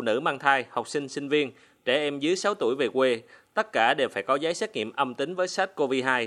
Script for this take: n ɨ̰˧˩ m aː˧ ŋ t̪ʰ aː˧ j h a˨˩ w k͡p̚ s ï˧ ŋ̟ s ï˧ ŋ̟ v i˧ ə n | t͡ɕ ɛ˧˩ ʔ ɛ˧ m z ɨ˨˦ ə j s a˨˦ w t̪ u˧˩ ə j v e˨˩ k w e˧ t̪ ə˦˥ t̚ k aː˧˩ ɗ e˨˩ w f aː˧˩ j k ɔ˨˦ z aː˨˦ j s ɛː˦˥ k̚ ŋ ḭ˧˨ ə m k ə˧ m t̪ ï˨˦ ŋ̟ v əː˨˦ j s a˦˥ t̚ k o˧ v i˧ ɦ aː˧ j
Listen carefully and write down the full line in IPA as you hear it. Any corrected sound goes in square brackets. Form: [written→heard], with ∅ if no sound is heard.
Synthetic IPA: n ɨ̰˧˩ m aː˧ ŋ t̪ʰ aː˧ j h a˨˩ w k͡p̚ s ï˧ ŋ̟ s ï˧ ŋ̟ v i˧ ə n | t͡ɕ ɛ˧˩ ʔ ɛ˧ m z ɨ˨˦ ə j s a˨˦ w t̪ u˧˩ ə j v e˨˩ k w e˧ t̪ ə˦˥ t̚ k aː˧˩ ɗ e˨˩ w f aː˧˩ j k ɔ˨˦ z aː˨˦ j s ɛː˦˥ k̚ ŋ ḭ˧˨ ə m [k→ʔ] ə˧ m t̪ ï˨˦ ŋ̟ v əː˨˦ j s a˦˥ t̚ k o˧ v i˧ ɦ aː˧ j